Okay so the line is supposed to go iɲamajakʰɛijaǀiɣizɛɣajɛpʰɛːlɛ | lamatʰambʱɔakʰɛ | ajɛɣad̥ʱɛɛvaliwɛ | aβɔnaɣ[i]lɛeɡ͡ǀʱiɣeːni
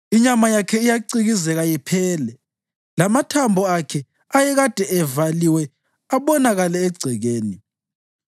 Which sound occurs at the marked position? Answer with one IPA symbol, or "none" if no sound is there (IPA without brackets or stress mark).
a